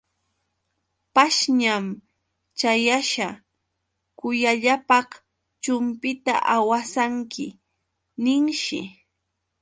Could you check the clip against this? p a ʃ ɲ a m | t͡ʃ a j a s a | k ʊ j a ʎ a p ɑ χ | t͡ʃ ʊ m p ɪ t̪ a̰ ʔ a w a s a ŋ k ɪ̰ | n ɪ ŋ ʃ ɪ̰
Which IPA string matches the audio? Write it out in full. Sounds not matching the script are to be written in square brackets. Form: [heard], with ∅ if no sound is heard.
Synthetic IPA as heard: p a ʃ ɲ a m | t͡ʃ a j a [ʃ] a | k ʊ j a ʎ a p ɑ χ | t͡ʃ ʊ m p ɪ t̪ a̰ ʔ a w a s a ŋ k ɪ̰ | n ɪ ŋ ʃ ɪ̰